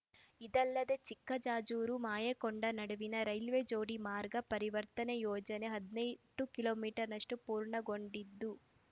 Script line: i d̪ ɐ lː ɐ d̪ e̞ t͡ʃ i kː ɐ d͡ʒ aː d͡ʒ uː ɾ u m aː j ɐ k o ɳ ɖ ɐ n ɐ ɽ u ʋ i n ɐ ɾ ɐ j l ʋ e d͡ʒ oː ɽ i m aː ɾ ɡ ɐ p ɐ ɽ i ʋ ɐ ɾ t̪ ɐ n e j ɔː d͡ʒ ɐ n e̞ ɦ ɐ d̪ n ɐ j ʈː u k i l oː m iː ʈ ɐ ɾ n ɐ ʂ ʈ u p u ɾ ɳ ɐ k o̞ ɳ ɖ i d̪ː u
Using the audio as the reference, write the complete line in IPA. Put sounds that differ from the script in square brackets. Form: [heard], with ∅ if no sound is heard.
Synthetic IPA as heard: i d̪ ɐ lː ɐ d̪ e̞ t͡ʃ i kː ɐ d͡ʒ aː d͡ʒ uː ɾ u m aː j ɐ k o ɳ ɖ ɐ n ɐ ɽ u ʋ i n ɐ ɾ ɐ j l ʋ e d͡ʒ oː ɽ i m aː ɾ ɡ ɐ p ɐ [ɾ] i ʋ ɐ ɾ t̪ ɐ n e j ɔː d͡ʒ ɐ n e̞ ɦ ɐ d̪ n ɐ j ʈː u k i l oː m iː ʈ ɐ ɾ n ɐ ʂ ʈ u p [uː] ɾ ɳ ɐ [ɡ] o̞ ɳ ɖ i d̪ː u